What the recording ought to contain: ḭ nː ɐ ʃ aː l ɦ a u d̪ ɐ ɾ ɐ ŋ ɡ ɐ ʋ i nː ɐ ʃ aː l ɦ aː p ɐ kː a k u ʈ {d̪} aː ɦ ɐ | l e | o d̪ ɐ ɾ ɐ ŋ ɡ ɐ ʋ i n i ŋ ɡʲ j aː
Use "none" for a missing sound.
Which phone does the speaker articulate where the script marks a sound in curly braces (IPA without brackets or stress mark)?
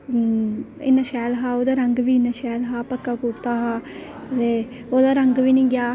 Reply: t̪